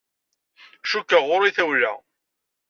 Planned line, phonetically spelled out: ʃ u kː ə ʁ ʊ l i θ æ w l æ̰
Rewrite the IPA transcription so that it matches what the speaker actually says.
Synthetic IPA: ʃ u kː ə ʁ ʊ ɾ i θ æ w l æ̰